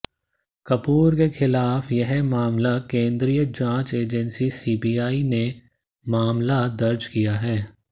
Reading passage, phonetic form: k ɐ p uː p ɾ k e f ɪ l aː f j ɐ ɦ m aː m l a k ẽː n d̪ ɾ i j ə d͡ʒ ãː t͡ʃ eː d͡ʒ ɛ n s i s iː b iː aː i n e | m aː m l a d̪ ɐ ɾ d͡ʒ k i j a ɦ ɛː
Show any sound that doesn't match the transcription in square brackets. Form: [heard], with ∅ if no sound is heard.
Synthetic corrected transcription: k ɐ p uː [∅] ɾ k e [x] ɪ l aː f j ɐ ɦ m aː m l a k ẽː n d̪ ɾ i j ə d͡ʒ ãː t͡ʃ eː d͡ʒ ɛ n s i s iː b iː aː i n e | m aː m l a d̪ ɐ ɾ d͡ʒ k i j a ɦ ɛː